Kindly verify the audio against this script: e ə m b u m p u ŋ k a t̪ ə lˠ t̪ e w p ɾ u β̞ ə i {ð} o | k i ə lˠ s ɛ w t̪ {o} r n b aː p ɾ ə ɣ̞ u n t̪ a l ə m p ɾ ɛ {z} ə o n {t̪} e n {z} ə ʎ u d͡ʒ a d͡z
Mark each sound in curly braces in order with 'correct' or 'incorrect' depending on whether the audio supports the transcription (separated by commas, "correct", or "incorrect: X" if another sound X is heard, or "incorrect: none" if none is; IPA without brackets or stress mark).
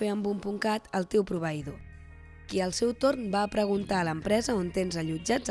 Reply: correct, correct, correct, correct, correct